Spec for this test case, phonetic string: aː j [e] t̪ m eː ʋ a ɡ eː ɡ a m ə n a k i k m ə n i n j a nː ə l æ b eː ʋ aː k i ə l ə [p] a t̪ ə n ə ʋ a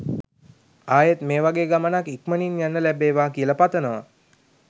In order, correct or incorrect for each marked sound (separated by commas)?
correct, correct